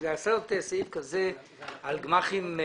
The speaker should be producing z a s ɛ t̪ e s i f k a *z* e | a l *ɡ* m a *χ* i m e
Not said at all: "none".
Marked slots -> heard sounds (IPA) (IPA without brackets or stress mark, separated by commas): z, ɡ, χ